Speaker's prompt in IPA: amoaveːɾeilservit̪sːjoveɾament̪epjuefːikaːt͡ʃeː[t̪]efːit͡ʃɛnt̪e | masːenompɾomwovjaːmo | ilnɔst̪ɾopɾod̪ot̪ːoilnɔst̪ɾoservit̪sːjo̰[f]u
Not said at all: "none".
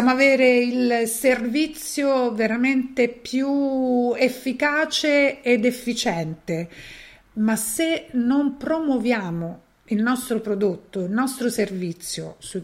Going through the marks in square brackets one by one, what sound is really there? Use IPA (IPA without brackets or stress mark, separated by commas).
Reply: d̪, s